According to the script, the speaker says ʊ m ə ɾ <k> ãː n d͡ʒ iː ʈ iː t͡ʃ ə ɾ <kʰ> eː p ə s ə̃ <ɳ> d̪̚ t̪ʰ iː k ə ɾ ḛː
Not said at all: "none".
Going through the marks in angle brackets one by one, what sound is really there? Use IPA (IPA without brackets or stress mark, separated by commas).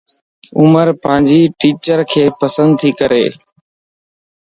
p, kʰ, n